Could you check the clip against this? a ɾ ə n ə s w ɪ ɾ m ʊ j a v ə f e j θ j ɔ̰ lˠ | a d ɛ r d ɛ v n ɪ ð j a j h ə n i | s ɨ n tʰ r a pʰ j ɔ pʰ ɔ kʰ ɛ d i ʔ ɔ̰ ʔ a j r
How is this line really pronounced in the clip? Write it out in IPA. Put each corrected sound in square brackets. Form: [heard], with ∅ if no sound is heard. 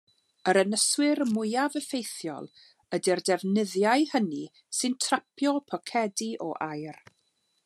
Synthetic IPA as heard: [ə] ɾ ə n ə s w ɪ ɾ m ʊ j a v ə f e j θ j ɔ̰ lˠ | [ə] d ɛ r d ɛ v n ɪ ð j a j h ə n i | s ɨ n tʰ r a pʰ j ɔ pʰ ɔ kʰ ɛ d i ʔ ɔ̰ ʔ a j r

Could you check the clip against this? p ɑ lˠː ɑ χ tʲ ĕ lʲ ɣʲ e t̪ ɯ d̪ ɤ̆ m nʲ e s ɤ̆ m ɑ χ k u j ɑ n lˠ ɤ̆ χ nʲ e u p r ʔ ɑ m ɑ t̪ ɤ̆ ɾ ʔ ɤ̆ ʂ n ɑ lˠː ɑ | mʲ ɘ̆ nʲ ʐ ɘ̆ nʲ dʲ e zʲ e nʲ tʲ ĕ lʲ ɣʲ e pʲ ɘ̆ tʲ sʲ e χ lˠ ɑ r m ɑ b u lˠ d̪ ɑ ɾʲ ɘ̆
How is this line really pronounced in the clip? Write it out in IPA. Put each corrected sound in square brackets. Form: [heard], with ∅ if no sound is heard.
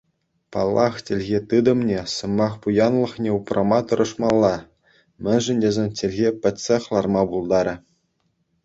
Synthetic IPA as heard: p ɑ lˠː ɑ χ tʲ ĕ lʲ ɣʲ e t̪ ɯ d̪ ɤ̆ m nʲ e s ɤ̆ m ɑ χ [p] u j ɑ n lˠ ɤ̆ χ nʲ e u p r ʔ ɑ m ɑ t̪ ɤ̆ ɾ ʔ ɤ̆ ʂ [m] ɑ lˠː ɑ | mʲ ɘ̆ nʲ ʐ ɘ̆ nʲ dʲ e zʲ e nʲ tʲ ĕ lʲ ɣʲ e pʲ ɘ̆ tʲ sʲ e χ lˠ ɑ r m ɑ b u lˠ d̪ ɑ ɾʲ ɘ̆

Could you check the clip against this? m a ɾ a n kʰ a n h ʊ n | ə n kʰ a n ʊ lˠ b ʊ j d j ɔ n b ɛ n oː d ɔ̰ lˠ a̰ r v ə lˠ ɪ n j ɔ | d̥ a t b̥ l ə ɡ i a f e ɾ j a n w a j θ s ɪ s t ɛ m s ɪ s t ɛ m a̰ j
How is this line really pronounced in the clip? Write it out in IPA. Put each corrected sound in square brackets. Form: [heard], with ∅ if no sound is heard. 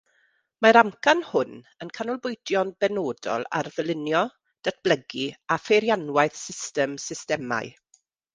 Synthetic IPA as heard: m a ɾ a [m] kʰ a n h ʊ n | ə n kʰ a n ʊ lˠ b ʊ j d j ɔ n b ɛ n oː d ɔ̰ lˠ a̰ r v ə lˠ ɪ n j ɔ | d̥ a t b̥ l ə ɡ i a f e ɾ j a n w a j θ s ɪ s t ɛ m s ɪ s t ɛ m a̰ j

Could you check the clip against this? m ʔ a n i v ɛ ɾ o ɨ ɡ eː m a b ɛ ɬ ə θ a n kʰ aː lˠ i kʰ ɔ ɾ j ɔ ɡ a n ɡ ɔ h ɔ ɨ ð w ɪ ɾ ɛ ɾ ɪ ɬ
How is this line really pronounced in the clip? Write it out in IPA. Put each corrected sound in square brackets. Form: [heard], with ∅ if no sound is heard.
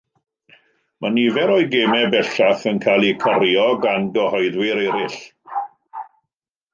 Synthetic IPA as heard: m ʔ a n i v ɛ ɾ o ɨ ɡ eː m [ɛ] b ɛ ɬ [a] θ [ə] n kʰ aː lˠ i kʰ ɔ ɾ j ɔ ɡ a n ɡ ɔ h ɔ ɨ ð w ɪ ɾ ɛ ɾ ɪ ɬ

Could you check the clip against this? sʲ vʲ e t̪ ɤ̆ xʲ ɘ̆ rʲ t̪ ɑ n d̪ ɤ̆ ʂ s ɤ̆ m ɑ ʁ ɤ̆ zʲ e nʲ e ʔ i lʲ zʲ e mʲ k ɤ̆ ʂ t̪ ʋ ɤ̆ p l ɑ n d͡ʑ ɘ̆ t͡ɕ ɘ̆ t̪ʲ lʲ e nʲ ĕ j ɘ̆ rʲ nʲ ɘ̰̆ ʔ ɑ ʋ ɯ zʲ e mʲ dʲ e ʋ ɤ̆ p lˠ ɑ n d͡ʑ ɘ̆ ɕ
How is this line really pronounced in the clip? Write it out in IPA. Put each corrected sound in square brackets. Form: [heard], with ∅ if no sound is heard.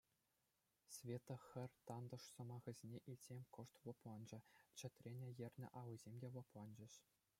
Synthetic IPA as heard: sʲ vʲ e t̪ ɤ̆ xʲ ɘ̆ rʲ t̪ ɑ n d̪ ɤ̆ ʂ s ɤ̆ m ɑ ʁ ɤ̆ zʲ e nʲ e ʔ i lʲ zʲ e mʲ k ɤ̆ ʂ t̪ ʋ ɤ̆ p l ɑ n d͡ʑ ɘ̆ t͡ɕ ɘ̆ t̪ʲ [rʲ] e nʲ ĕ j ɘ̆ rʲ nʲ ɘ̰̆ ʔ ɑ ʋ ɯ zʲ e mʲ dʲ e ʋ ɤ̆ p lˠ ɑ n d͡ʑ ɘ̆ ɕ

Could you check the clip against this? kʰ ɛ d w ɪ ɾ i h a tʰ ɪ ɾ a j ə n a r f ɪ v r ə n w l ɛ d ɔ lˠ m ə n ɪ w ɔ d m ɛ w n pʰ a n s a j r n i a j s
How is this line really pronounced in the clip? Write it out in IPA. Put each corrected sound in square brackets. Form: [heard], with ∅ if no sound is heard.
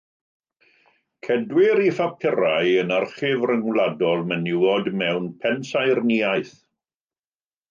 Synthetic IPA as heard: kʰ ɛ d w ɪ ɾ i [f] a [pʰ] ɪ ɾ a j ə n a r [χ] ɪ v r ə [ŋ] w l [a] d ɔ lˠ m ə n ɪ w ɔ d m ɛ w n pʰ [ɛ] n s a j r n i a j [θ]

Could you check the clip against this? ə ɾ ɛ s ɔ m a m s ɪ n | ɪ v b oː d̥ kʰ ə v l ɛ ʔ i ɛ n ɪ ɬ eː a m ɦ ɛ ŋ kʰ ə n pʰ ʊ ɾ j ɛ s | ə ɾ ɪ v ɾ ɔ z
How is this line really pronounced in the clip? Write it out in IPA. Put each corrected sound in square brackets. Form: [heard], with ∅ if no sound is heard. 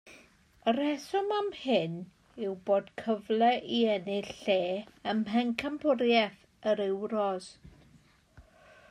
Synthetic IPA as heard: ə ɾ ɛ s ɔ m a m [h] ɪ n | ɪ [w] b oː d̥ kʰ ə v l ɛ ʔ i ɛ n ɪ ɬ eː [ə] m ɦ ɛ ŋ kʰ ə [m] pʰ ʊ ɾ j ɛ [θ] | ə ɾ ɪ [w] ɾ ɔ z

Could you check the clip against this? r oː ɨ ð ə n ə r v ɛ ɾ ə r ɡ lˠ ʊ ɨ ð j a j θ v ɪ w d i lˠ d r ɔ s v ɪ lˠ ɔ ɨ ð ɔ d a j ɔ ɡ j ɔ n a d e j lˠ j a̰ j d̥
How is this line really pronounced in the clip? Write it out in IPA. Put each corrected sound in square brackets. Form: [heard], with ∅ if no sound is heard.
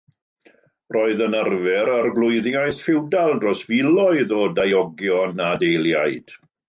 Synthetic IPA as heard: r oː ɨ ð ə n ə r v ɛ ɾ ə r ɡ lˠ ʊ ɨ ð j a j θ [f] ɪ w d [a] lˠ d r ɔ s v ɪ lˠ ɔ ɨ ð ɔ d a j ɔ ɡ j ɔ n a d e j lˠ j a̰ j d̥

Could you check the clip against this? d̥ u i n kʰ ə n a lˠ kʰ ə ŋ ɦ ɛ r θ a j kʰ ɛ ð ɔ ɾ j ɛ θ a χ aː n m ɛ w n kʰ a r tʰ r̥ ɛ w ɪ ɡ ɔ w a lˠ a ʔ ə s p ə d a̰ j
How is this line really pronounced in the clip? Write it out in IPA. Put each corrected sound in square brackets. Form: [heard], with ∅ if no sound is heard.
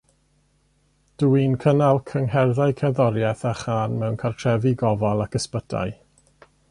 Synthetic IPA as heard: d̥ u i n kʰ ə n a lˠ kʰ ə ŋ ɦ ɛ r [ð] a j kʰ ɛ ð ɔ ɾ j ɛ θ a χ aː n m ɛ w n kʰ a r tʰ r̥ ɛ [v] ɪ ɡ ɔ [v] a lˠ a [k] ə s p ə d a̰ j

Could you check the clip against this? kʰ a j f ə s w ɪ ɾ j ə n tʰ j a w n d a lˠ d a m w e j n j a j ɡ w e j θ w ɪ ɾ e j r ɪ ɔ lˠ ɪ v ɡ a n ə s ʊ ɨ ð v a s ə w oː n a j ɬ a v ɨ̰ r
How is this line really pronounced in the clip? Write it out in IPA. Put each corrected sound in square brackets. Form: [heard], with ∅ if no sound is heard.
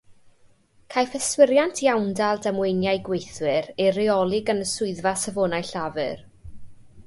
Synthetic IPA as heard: kʰ a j f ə s w ɪ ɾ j [a] n tʰ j a w n d a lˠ d a m w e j n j a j ɡ w e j θ w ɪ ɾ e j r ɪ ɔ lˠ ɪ [∅] ɡ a n ə s ʊ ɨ ð v a s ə [v] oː n a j ɬ a v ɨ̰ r

